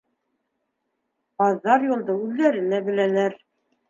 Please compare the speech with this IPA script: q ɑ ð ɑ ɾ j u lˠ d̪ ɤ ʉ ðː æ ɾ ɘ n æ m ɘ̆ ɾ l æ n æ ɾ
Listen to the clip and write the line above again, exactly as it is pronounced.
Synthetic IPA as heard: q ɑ ðː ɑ ɾ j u lˠ d̪ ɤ ʉ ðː æ ɾ ɘ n æ b ɘ̆ l æ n æ ɾ